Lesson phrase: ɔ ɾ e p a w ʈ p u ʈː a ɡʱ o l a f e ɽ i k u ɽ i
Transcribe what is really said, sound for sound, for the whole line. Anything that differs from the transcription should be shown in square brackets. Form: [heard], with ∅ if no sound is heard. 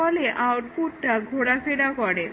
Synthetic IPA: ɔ [l] e [ʔ] a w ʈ p u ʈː a ɡʱ o [ɽ] a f e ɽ [a] k [ɔ] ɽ [e]

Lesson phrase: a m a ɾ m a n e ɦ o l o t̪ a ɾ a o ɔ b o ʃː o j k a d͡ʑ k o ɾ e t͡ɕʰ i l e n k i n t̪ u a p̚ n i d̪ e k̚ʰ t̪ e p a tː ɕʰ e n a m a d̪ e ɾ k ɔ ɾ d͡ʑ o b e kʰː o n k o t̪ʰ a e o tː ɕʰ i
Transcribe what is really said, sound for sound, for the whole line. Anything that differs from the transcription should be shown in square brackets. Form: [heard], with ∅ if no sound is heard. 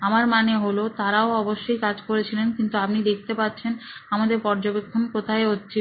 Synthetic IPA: a m a ɾ m a n e ɦ o l o t̪ a ɾ a o ɔ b o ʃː o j k a d͡ʑ k o ɾ e t͡ɕʰ i l e n k i n t̪ u a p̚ n i d̪ e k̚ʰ t̪ e p a tː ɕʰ e n a m a d̪ e ɾ [p] ɔ ɾ d͡ʑ o b e kʰː o n k o t̪ʰ a e o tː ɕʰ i

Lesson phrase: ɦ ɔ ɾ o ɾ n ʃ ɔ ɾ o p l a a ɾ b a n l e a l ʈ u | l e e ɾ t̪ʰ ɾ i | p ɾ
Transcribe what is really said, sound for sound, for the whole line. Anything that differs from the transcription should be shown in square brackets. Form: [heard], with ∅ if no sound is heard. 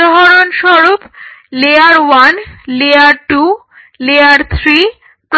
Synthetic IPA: ɦ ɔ ɾ o [∅] n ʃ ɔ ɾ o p l [e] a ɾ [w] a n l e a [ɾ] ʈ u | l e [a] ɾ t̪ʰ ɾ i | p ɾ

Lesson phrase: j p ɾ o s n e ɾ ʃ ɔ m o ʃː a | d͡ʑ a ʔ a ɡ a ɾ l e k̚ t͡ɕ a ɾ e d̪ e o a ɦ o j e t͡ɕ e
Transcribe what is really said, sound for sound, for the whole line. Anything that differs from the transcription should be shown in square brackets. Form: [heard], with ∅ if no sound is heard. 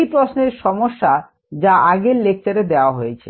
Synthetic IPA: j p ɾ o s n e ɾ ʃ ɔ m o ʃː a | d͡ʑ a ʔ a ɡ [e] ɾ l e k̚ t͡ɕ a ɾ e d̪ e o a ɦ o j e [t͡ɕʰ] e

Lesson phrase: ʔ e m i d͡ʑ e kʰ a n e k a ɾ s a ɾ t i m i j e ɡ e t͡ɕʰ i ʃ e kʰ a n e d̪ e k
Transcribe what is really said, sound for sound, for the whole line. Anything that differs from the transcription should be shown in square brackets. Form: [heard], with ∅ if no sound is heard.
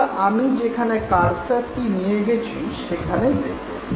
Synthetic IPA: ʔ [a] m i d͡ʑ e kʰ a n e k a ɾ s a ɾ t i [n] i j e ɡ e t͡ɕʰ i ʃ e kʰ a n e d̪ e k

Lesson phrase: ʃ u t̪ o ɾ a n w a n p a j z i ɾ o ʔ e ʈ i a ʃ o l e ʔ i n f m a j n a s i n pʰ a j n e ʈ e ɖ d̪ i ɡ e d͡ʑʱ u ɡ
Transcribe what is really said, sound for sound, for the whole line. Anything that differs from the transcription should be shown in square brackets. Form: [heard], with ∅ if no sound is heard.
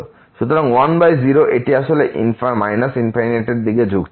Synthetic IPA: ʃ u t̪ o ɾ a [ŋ] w a n [b] a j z i ɾ o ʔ e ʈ i a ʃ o l e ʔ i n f m a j n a s i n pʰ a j n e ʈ e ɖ d̪ i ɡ e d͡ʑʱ u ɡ

